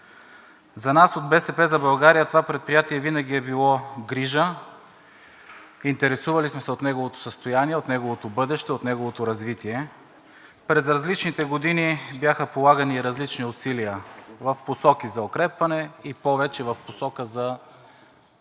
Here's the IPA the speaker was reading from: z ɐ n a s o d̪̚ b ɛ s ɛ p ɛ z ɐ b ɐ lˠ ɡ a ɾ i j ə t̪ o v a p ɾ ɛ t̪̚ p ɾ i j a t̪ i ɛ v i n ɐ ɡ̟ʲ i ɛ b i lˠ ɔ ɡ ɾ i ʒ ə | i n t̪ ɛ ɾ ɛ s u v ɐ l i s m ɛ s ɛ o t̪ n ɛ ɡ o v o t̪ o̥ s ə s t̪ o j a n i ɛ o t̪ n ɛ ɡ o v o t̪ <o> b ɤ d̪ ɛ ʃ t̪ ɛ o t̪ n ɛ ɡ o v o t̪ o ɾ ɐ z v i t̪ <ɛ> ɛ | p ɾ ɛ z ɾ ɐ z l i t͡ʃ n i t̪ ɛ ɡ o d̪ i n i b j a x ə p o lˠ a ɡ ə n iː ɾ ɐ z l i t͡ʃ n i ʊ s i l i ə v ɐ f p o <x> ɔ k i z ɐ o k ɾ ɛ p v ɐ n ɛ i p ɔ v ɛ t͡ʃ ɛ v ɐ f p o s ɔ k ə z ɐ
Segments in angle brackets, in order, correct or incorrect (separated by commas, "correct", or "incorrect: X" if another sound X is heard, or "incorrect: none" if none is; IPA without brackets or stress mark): correct, incorrect: i, incorrect: s